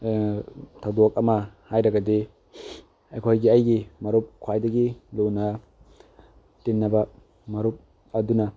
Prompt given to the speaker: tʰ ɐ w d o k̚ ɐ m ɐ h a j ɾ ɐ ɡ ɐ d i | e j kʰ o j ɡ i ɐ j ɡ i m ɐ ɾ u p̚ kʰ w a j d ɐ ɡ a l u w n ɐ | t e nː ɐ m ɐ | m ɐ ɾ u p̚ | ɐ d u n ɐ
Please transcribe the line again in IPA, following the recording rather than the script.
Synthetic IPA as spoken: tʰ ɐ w d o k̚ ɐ m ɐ h a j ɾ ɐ ɡ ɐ d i | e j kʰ o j ɡ i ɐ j ɡ i m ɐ ɾ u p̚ kʰ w a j d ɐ ɡ i l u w n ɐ | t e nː ɐ b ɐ | m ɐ ɾ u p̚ | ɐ d u n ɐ